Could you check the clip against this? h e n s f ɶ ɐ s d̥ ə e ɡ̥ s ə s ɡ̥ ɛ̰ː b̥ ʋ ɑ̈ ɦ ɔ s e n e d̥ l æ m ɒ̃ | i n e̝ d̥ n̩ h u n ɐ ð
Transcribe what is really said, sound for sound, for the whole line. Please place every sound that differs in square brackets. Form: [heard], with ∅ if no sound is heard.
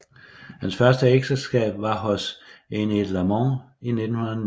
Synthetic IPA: h [æ] n s f ɶ ɐ s d̥ ə e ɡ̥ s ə s ɡ̥ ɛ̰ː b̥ ʋ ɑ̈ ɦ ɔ s e n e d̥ l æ m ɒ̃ | i n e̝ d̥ n̩ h u n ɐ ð